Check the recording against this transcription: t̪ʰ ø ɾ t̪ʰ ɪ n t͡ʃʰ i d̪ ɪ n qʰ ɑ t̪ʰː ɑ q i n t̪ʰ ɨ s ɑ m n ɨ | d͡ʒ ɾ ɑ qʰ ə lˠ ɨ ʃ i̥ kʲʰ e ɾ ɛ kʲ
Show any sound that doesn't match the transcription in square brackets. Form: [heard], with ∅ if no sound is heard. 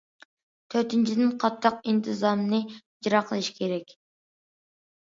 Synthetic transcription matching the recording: t̪ʰ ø ɾ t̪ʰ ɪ n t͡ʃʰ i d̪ ɪ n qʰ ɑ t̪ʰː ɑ q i n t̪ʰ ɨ [z] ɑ m n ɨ | d͡ʒ ɾ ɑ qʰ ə lˠ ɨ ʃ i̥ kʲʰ e ɾ ɛ kʲ